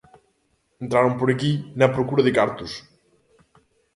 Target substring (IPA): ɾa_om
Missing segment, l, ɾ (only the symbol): ɾ